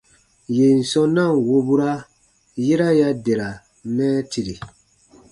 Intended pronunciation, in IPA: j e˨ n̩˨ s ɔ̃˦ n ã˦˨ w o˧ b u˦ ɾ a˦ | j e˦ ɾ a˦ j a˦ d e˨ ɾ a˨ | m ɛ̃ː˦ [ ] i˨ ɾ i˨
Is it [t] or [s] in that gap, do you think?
t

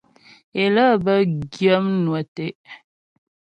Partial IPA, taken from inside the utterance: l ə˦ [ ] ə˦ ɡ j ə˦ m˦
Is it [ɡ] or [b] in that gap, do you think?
b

